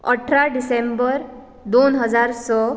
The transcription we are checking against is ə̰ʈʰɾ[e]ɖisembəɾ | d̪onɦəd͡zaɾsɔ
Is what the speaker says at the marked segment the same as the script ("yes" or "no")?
no